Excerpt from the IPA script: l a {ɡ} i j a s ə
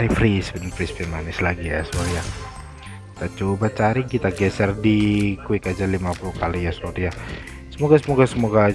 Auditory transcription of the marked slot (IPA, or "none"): ɡ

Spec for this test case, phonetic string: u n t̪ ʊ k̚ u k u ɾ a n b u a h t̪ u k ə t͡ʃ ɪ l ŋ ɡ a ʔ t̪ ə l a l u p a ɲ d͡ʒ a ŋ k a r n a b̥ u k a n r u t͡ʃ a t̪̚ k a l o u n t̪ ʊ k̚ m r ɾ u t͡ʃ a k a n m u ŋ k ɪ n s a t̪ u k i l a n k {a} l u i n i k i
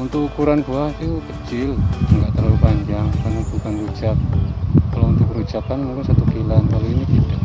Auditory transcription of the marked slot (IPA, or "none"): a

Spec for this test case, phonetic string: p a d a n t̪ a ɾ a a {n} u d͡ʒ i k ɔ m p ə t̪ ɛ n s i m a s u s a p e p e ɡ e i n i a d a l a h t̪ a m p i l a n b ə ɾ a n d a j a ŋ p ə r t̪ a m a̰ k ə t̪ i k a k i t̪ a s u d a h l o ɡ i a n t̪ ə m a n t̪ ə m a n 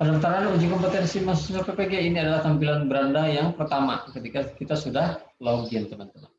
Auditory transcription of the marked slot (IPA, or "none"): n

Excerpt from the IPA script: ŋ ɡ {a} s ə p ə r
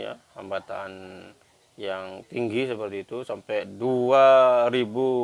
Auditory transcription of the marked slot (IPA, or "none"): i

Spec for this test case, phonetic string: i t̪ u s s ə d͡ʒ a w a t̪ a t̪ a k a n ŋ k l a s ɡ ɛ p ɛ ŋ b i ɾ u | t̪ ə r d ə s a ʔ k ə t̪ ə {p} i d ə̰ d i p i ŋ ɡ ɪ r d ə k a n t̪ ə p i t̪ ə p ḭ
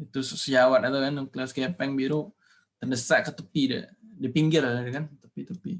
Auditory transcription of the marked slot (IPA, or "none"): p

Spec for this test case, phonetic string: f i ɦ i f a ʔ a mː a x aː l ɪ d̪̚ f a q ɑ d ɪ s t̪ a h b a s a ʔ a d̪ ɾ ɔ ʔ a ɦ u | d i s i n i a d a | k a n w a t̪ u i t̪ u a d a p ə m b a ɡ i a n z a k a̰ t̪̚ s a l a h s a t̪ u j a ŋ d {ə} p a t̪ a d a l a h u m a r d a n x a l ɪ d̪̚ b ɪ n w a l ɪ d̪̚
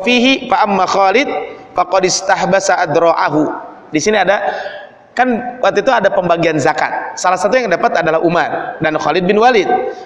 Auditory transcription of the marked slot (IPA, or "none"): a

